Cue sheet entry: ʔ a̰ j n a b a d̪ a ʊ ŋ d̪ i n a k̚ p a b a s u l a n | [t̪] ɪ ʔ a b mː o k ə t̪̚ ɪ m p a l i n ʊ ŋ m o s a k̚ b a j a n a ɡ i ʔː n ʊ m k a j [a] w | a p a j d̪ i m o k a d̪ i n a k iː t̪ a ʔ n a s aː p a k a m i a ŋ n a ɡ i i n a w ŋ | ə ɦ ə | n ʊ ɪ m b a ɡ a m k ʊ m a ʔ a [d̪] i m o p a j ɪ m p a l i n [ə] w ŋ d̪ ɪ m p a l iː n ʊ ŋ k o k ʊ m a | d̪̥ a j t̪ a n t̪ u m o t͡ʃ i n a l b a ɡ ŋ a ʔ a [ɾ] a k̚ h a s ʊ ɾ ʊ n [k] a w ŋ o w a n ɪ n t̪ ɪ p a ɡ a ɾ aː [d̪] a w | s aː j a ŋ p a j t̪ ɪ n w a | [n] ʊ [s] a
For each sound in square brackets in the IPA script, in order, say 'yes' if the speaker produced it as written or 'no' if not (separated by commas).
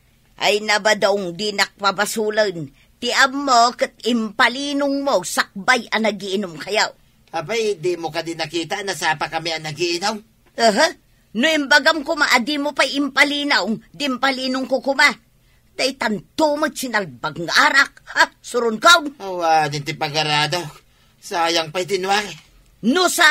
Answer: yes, yes, yes, no, yes, yes, yes, yes, yes